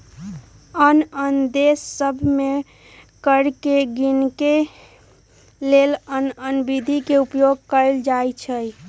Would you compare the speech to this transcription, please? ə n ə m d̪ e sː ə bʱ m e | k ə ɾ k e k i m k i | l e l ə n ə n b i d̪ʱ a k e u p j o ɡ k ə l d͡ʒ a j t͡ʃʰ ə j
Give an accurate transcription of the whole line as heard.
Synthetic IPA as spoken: ə n ə n d̪ e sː ə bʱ m e | k ə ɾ k e ɡ i n k e | l e l ə n ə n b i d̪ʱ i k e u p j o ɡ k ə l d͡ʒ a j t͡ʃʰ ə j